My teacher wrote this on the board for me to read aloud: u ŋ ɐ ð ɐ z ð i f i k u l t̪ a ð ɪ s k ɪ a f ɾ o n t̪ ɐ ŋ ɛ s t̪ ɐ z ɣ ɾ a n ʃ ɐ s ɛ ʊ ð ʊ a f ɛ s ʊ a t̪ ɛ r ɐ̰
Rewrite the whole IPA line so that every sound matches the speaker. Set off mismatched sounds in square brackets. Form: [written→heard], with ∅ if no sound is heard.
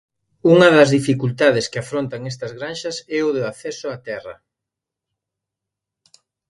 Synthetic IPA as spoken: u ŋ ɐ ð ɐ z ð i f i k u l t̪ a ð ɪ s k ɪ a f ɾ o n t̪ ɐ ŋ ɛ s t̪ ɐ z ɣ ɾ a n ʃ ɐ s ɛ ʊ ð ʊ a [f→θ] ɛ s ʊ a t̪ ɛ r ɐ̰